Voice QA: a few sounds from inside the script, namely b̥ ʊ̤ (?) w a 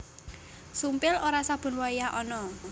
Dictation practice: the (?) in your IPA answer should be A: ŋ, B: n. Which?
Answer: B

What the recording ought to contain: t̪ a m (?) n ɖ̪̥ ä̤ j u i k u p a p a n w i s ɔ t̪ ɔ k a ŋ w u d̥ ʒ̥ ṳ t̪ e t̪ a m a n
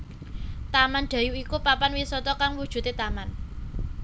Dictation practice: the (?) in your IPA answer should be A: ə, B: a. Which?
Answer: B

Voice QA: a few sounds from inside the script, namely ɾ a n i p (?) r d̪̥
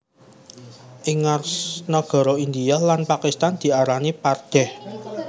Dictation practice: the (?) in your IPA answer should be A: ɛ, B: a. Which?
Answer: B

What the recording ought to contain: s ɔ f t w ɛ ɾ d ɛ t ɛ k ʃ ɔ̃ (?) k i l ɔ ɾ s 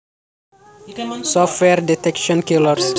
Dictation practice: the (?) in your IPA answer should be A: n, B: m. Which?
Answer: A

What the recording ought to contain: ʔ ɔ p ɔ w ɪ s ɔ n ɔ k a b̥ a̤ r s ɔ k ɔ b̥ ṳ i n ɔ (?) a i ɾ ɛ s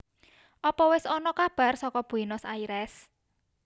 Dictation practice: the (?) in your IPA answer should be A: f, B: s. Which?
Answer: B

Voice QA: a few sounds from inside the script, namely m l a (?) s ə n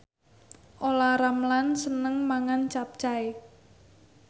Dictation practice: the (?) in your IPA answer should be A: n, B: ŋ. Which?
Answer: A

